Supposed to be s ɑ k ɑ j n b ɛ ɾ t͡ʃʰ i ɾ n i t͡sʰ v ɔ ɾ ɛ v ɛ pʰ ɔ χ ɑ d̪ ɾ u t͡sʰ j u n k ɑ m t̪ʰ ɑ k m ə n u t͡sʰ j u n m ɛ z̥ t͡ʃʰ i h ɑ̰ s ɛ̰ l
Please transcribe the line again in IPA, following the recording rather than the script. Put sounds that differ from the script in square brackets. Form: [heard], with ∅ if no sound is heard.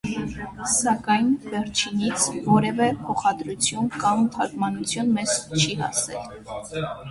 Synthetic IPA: s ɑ k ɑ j n [v] ɛ ɾ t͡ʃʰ i [∅] n i t͡sʰ v ɔ ɾ ɛ v ɛ pʰ ɔ χ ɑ d̪ ɾ u t͡sʰ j u n k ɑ m t̪ʰ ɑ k m [ɑ] n u t͡sʰ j u n m ɛ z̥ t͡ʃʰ i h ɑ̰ s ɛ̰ l